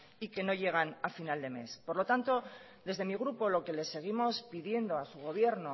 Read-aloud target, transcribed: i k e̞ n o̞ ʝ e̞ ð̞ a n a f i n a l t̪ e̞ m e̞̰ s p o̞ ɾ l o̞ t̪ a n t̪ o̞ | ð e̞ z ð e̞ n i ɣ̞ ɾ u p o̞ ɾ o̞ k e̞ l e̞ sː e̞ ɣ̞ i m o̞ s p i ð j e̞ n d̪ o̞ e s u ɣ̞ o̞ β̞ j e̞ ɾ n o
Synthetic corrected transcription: i k e̞ n o̞ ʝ e̞ ɣ̞ a n a f i n a l d̪ e̞ m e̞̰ s p o̞ ɾ l o̞ t̪ a n t̪ o̞ | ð e̞ z ð e̞ m i ɣ̞ ɾ u p o̞ l o̞ k e̞ l e̞ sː e̞ ɣ̞ i m o̞ s p i ð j e̞ n d̪ o̞ a s u ɣ̞ o̞ β̞ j e̞ ɾ n o